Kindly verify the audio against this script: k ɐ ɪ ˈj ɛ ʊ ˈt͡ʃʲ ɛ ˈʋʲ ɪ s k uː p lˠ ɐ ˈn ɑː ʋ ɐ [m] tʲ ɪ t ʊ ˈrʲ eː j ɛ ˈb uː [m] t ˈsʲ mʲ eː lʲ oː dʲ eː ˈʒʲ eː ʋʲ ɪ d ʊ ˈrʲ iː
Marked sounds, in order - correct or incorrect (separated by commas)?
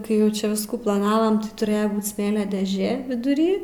correct, incorrect